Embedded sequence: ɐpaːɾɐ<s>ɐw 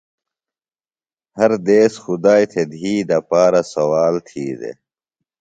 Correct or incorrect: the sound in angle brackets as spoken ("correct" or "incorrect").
correct